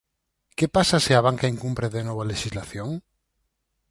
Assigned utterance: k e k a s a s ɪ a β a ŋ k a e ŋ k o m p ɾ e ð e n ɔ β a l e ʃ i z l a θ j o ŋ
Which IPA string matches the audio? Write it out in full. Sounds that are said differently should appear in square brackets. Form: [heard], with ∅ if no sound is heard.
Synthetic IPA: k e [p] a s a s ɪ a β a ŋ k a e ŋ k [u] m p ɾ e ð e n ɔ β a l e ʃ i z l a θ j o ŋ